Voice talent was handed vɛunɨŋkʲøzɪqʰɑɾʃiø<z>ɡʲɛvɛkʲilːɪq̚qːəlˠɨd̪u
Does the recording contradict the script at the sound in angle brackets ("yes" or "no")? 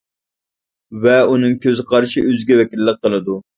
no